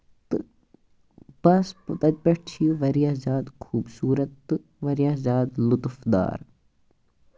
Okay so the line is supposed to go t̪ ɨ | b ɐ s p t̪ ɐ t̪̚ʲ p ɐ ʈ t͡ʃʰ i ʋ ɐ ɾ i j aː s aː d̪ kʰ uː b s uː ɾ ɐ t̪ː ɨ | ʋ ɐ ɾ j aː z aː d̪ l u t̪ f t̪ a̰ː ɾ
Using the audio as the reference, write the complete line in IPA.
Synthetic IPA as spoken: t̪ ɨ | b ɐ s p t̪ ɐ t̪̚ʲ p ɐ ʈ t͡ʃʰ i ʋ ɐ ɾ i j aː z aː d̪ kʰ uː b s uː ɾ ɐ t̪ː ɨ | ʋ ɐ ɾ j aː z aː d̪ l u t̪ f d̪ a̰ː ɾ